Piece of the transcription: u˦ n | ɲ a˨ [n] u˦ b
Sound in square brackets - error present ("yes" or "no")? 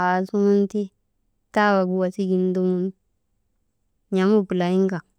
yes